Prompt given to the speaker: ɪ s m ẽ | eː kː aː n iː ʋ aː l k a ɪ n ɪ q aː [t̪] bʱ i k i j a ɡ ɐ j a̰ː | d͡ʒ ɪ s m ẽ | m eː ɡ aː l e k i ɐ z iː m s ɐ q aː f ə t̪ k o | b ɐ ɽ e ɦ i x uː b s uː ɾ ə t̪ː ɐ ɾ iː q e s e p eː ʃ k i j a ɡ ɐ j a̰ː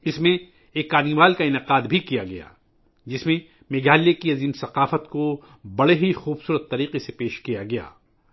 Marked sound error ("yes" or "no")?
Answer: yes